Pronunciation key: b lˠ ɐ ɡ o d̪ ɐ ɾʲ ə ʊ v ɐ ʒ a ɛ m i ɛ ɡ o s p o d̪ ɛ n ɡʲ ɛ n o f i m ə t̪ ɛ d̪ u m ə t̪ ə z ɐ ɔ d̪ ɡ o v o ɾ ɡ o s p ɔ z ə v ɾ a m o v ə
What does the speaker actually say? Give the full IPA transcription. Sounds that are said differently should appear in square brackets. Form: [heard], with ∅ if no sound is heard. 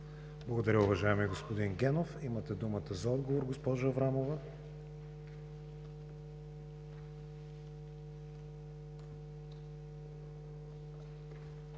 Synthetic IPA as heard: b lˠ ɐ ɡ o d̪ ɐ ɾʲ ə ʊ v ɐ ʒ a ɛ m i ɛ ɡ o s p o d̪ [i] n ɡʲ ɛ n o f i m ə t̪ ɛ d̪ u m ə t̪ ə z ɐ ɔ d̪ ɡ o v o ɾ ɡ o s p ɔ [ʒ] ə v ɾ a m o v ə

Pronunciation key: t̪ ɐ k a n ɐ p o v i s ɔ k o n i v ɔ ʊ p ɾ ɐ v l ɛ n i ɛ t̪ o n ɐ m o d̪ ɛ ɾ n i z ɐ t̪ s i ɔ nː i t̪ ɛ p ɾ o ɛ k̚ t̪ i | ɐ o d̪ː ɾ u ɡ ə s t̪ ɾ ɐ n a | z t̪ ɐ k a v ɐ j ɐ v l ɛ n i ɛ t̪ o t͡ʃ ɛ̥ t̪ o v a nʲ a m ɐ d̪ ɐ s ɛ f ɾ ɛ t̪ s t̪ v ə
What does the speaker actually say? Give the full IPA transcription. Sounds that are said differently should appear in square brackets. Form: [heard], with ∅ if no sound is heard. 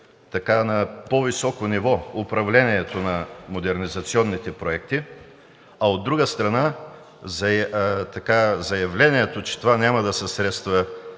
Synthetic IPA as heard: t̪ ɐ k a n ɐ p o v i s ɔ k o n i v ɔ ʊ p ɾ ɐ v l ɛ n i ɛ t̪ o n ɐ m o d̪ ɛ ɾ n i z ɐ t̪ s i ɔ nː i t̪ ɛ p ɾ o ɛ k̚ t̪ i | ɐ o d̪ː ɾ u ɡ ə s t̪ ɾ ɐ n a | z t̪ ɐ k a [z] ɐ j ɐ v l ɛ n i ɛ t̪ o t͡ʃ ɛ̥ t̪ o v a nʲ a m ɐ d̪ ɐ s ɛ [s] ɾ ɛ t̪ s t̪ v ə

